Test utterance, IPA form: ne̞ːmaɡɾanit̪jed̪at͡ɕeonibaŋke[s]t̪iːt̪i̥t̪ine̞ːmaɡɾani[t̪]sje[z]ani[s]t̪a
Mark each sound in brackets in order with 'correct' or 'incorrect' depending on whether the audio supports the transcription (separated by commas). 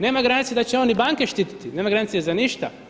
incorrect, correct, correct, incorrect